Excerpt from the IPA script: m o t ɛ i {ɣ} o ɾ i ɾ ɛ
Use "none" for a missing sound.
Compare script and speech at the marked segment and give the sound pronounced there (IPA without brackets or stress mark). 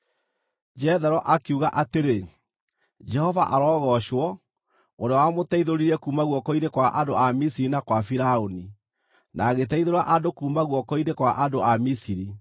ð